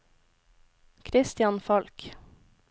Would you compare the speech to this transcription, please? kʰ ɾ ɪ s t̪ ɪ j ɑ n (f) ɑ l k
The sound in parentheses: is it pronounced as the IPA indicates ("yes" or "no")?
yes